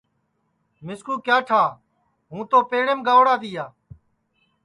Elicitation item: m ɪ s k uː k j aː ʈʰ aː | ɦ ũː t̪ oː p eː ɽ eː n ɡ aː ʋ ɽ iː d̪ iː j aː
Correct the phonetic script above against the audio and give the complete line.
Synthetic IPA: m ɪ s k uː k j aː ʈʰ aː | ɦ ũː t̪ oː p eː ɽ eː m ɡ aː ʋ ɽ aː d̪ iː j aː